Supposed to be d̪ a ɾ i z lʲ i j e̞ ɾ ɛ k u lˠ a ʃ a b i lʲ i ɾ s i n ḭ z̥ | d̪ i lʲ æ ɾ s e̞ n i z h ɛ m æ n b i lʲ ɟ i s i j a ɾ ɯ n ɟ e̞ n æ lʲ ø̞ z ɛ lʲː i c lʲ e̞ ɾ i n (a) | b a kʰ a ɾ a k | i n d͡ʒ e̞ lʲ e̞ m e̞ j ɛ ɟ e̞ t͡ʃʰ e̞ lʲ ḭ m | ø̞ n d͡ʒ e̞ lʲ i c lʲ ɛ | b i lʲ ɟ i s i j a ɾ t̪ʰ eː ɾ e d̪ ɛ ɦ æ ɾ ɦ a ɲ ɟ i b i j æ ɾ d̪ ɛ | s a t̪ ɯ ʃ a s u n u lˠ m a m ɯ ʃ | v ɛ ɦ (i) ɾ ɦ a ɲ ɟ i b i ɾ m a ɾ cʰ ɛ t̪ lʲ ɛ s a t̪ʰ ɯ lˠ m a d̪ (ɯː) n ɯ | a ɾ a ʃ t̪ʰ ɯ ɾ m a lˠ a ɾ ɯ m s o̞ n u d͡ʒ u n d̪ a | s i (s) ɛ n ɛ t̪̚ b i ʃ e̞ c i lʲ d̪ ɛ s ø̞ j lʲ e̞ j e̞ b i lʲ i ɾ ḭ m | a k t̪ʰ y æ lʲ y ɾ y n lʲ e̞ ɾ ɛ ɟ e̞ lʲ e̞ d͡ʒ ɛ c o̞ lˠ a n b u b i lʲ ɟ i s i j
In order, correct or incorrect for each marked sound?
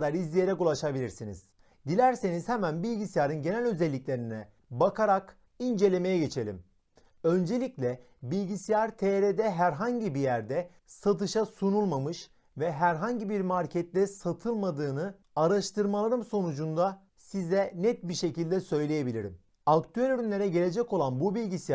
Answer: incorrect: ɛ, incorrect: æ, correct, incorrect: z

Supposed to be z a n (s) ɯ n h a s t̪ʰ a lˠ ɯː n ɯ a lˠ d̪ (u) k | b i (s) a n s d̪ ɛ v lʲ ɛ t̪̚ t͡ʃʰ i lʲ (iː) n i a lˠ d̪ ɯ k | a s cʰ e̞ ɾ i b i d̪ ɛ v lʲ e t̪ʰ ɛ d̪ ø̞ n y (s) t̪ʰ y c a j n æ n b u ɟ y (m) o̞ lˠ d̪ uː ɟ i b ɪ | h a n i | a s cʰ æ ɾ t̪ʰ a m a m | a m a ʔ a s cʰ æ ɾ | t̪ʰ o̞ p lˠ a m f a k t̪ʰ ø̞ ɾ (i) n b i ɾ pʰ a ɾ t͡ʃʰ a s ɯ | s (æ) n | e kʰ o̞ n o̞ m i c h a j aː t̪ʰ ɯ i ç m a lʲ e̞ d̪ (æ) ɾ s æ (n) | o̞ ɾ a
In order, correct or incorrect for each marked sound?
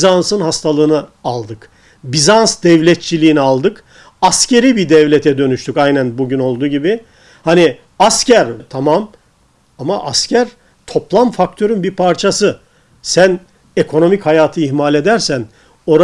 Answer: correct, incorrect: ɯ, incorrect: z, correct, incorrect: ʃ, incorrect: n, incorrect: y, correct, correct, correct

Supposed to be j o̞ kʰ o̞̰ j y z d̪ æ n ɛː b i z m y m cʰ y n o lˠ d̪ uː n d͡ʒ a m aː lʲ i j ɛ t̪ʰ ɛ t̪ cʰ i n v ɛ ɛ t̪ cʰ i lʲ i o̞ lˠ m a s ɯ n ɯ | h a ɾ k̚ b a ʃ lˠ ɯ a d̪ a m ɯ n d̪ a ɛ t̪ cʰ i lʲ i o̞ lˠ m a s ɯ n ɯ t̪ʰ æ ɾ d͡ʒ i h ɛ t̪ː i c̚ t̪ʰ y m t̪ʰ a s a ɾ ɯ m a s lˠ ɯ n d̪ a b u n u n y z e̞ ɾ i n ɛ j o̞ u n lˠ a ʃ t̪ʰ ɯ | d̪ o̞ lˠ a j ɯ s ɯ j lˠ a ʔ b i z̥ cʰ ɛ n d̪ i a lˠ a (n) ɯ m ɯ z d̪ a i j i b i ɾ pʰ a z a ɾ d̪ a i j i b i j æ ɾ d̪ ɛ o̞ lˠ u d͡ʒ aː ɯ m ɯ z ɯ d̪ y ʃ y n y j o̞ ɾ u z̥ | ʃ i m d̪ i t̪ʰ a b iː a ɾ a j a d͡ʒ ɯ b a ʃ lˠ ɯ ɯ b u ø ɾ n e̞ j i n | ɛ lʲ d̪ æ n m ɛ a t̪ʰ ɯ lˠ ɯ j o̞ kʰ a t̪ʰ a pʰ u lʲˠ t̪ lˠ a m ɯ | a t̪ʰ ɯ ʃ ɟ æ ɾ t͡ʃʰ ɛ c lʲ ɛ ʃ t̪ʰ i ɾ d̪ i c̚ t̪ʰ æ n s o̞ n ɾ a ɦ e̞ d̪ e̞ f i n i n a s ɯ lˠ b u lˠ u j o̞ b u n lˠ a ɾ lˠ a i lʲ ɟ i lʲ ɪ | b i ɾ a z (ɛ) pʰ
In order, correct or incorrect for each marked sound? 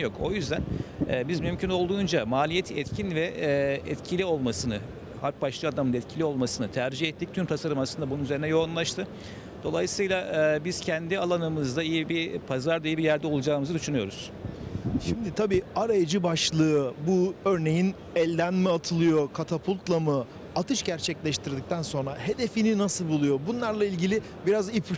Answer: correct, incorrect: i

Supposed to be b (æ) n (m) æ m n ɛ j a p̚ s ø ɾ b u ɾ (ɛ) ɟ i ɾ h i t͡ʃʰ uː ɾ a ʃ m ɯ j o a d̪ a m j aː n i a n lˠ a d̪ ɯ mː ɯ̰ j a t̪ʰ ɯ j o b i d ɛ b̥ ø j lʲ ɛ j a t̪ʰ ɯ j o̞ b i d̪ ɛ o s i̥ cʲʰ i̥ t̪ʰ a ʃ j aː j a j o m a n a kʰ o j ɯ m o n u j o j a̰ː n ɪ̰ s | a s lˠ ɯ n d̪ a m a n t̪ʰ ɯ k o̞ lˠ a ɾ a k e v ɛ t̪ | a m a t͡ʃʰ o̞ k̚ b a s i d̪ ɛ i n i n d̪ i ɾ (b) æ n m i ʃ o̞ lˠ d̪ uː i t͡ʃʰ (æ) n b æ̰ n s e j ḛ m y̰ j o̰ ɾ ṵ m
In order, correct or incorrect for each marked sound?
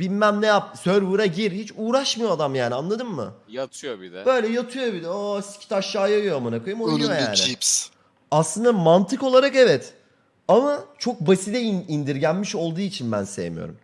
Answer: incorrect: i, correct, incorrect: a, incorrect: ɟ, incorrect: i

